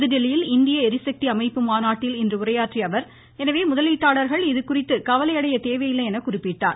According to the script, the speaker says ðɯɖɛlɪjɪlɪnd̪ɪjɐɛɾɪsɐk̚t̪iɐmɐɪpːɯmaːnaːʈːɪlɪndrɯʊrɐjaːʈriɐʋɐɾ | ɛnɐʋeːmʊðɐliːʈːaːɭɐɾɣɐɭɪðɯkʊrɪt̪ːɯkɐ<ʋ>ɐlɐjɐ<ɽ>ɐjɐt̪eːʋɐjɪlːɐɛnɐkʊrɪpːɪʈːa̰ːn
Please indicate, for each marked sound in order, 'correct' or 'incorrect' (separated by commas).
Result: correct, correct